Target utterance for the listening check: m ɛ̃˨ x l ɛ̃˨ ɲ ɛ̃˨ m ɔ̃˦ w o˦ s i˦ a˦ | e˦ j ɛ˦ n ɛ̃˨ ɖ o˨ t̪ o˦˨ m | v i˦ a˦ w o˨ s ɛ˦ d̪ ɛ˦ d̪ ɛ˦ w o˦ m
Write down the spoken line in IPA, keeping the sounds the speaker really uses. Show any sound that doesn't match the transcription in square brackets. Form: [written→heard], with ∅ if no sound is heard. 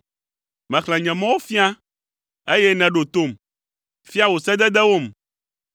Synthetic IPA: m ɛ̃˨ x l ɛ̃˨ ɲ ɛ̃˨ m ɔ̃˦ w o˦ [s→f] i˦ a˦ | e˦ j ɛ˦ n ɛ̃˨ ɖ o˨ t̪ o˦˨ m | [v→f] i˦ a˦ w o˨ s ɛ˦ d̪ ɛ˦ d̪ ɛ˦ w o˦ m